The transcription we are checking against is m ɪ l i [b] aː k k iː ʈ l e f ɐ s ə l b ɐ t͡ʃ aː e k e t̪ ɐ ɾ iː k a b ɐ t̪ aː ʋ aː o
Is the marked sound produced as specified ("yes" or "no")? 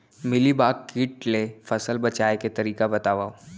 yes